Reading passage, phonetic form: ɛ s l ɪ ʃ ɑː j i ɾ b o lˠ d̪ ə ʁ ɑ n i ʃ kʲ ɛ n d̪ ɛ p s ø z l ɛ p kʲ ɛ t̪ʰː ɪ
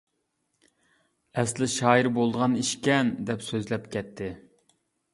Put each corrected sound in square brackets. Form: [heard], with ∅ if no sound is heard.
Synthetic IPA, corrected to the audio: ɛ s l ɪ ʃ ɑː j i ɾ b o lˠ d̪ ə ʁ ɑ n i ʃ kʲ ɛ n d̪ ɛ p s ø z l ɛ p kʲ ɛ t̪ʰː ɪ